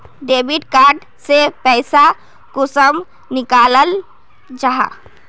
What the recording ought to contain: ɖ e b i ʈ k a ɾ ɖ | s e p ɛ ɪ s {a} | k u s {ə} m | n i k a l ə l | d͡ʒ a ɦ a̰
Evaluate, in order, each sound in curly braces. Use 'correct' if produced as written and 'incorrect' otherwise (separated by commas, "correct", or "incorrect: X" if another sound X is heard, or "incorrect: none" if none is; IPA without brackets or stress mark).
correct, correct